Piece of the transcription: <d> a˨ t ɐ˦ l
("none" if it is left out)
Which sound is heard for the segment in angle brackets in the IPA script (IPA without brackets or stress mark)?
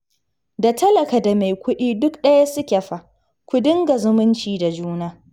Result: d